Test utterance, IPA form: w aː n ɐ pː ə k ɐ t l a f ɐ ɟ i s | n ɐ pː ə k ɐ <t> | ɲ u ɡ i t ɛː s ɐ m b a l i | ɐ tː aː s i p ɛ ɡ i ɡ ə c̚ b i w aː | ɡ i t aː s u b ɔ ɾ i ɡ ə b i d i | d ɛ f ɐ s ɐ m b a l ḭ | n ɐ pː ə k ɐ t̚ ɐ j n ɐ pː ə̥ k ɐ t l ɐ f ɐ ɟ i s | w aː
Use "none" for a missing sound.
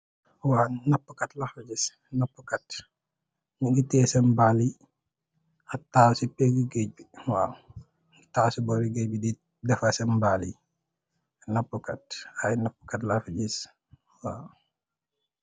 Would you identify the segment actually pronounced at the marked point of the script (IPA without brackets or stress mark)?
t